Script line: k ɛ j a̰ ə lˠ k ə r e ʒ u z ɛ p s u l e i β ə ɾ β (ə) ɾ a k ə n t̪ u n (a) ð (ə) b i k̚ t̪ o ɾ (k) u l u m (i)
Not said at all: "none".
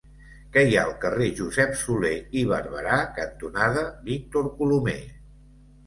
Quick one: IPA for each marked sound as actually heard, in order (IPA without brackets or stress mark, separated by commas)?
ə, a, ə, k, e